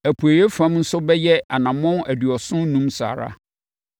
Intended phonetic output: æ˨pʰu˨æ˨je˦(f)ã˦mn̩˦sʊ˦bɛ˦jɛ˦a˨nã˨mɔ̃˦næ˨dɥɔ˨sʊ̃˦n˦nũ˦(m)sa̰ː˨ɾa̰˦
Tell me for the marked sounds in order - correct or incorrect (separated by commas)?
correct, correct